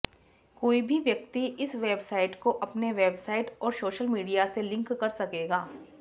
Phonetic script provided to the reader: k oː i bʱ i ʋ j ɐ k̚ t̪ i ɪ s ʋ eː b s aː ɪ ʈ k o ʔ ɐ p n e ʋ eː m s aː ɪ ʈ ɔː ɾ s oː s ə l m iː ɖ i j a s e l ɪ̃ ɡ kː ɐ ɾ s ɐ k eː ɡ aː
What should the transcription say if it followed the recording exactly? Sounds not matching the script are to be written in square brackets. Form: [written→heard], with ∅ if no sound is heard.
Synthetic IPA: k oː i bʱ i ʋ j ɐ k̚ t̪ i ɪ s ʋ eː b s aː ɪ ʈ k o ʔ ɐ p n e ʋ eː [m→b] s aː ɪ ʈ ɔː ɾ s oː [s→ʃ] ə l m iː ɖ i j a s e l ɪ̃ [ɡ→ŋ] kː ɐ ɾ s ɐ k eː ɡ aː